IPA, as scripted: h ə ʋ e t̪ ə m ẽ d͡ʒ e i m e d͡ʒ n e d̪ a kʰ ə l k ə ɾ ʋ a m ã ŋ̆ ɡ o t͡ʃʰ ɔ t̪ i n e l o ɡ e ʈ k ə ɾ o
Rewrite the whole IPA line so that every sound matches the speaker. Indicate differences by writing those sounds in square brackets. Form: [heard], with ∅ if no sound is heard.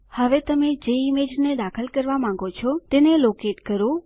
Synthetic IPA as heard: h ə ʋ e t̪ ə m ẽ d͡ʒ e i m e d͡ʒ n e d̪ a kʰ ə l k ə ɾ ʋ a m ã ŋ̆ ɡ o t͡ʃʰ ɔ t̪ [e] n e l o [k] e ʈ k ə ɾ o